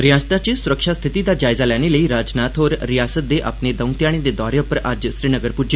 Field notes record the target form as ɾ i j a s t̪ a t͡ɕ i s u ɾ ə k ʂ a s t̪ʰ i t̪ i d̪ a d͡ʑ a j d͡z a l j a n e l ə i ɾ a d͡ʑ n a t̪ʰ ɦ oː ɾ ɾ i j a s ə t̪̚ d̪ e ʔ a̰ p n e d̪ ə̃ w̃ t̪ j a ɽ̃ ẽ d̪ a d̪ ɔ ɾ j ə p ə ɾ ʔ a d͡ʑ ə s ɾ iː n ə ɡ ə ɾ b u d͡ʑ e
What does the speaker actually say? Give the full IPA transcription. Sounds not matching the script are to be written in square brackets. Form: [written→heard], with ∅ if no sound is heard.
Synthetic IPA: ɾ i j a s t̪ a t͡ɕ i s u ɾ ə k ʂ a s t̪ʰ i t̪ i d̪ a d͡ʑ a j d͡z a l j a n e l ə i ɾ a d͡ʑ n a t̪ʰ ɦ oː ɾ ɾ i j a s ə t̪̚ d̪ e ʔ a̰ p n e d̪ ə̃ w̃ t̪ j a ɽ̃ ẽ d̪ [a→e] d̪ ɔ ɾ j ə p ə ɾ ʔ a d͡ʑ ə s ɾ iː n ə ɡ ə ɾ [b→p] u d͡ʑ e